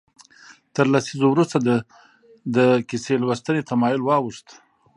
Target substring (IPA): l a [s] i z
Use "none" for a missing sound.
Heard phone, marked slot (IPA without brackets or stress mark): s